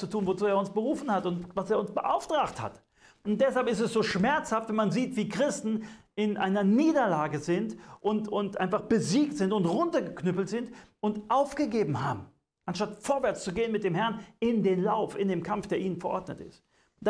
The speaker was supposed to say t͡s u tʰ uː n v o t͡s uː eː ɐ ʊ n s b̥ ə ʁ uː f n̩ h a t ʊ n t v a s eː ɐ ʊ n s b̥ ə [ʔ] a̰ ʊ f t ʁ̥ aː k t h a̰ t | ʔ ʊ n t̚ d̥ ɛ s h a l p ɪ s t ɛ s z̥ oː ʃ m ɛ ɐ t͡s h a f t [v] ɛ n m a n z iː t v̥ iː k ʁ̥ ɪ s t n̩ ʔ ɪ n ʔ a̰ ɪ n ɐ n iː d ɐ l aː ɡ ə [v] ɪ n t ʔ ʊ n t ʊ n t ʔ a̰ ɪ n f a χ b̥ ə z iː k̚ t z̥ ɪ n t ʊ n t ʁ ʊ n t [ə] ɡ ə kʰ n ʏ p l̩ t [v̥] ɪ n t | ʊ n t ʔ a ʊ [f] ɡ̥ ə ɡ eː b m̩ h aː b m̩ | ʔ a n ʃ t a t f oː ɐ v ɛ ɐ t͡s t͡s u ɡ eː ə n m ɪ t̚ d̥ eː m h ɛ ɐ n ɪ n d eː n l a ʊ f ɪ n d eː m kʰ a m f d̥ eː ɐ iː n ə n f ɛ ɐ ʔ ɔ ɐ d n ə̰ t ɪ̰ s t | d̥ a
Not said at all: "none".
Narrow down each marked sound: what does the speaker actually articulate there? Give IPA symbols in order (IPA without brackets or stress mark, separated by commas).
ʔ, v, z, ɐ, z̥, f